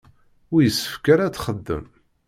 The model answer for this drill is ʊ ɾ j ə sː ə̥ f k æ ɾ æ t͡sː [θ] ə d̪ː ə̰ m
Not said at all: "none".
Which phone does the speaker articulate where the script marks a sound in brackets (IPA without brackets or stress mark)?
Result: χ